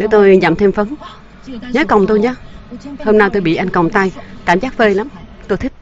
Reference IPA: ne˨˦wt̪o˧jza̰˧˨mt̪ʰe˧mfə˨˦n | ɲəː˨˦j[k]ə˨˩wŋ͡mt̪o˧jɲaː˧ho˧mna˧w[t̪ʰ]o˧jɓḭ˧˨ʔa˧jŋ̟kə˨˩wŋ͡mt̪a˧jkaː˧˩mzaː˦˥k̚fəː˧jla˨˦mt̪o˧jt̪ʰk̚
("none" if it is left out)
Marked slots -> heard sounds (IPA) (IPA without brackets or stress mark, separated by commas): k, t̪